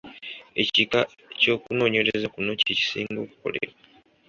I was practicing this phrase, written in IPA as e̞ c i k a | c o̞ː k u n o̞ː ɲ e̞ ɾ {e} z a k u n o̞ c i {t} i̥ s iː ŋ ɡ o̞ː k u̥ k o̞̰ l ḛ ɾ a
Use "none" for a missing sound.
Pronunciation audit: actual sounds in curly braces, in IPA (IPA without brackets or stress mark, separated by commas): e, c